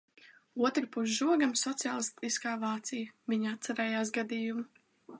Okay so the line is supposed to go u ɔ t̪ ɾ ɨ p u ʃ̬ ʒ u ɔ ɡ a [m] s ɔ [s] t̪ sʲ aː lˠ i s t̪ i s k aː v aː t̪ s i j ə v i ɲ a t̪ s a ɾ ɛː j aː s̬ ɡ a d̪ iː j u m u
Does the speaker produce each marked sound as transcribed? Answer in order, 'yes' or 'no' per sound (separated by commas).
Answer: yes, no